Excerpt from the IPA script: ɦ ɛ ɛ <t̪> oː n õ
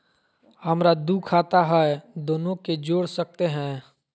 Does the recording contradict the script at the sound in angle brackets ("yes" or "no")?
yes